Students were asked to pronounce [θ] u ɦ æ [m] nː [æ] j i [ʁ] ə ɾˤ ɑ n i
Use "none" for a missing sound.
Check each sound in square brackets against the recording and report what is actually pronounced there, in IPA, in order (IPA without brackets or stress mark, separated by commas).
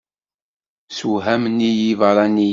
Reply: s, m, i, v